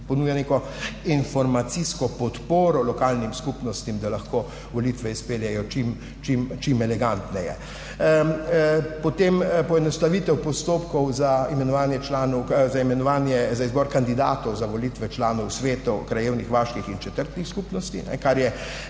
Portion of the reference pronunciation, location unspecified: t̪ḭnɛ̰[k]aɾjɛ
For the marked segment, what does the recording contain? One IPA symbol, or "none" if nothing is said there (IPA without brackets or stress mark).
k